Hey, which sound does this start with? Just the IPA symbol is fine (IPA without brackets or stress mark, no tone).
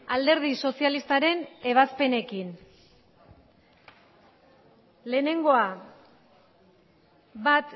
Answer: a